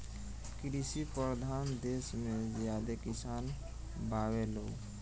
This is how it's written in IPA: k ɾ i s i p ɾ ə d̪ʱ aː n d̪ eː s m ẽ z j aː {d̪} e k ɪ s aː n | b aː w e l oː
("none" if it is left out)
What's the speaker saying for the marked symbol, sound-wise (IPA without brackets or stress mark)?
d̪